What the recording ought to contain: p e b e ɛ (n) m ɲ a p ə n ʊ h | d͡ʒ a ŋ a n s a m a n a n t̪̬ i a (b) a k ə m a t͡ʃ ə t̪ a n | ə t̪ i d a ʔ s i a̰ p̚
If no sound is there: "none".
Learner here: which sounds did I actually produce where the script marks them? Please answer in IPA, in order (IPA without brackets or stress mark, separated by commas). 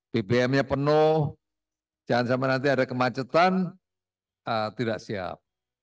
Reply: none, d